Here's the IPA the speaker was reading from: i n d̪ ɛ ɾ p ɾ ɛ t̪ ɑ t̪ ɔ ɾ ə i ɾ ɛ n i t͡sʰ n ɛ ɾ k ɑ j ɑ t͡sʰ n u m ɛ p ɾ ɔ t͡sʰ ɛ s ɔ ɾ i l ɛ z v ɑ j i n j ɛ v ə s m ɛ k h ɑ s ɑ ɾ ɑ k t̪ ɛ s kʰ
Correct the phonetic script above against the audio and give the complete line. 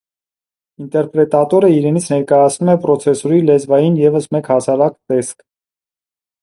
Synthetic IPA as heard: i n t̪ ɛ ɾ p ɾ ɛ t̪ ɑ t̪ ɔ ɾ ə i ɾ ɛ n i t͡sʰ n ɛ ɾ k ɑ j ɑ t͡sʰ n u m ɛ p ɾ ɔ t͡sʰ ɛ s ɔ ɾ i l ɛ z v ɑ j i n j ɛ v ə s m ɛ k h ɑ s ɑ ɾ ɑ k t̪ ɛ s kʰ